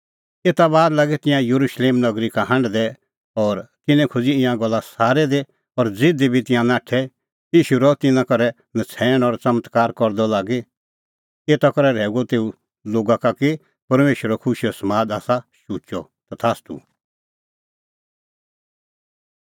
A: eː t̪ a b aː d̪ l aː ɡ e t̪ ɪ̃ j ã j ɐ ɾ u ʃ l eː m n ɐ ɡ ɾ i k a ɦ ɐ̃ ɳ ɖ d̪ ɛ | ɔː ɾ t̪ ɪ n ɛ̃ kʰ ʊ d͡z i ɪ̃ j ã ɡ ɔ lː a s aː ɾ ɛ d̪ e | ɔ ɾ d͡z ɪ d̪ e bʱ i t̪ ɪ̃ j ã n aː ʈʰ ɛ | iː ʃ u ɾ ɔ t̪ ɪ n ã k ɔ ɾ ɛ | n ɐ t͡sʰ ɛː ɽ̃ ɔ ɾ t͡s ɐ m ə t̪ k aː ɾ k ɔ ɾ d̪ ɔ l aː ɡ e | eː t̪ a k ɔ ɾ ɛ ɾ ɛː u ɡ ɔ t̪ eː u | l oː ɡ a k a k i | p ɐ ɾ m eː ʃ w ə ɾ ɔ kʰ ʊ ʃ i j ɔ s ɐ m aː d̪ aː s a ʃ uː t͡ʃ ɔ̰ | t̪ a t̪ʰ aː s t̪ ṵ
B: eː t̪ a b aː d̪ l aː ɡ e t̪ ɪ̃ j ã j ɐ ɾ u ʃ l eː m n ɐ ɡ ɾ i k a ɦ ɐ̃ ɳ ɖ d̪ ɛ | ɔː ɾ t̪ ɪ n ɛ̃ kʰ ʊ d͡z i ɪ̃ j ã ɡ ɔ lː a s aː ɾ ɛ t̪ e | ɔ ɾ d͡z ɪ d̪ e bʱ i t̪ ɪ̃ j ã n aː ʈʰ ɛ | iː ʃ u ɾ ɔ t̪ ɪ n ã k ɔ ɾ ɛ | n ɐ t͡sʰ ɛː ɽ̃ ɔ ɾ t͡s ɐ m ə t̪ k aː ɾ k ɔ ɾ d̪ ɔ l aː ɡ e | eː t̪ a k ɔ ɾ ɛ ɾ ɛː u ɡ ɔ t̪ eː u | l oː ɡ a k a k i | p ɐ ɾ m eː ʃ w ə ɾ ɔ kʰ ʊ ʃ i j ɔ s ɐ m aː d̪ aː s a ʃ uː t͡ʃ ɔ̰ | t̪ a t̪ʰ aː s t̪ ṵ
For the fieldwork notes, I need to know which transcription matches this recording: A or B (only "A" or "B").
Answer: A